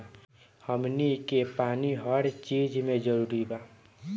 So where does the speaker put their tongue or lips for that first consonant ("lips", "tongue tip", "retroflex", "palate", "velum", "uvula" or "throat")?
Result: throat